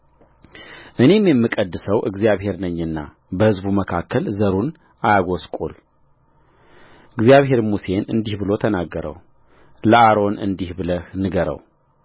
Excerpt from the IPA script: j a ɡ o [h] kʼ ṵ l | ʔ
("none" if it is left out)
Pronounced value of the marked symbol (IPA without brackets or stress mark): s